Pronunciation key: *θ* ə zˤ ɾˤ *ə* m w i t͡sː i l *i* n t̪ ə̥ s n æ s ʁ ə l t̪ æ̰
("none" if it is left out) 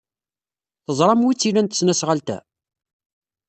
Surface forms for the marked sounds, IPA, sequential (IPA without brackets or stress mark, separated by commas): θ, ɑ, æ